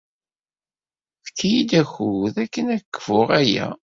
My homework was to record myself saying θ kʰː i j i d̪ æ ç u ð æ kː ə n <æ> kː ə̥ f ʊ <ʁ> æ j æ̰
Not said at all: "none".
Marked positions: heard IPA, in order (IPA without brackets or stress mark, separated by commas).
æ, ʁ